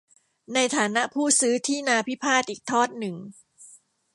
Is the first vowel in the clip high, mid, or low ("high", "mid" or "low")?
low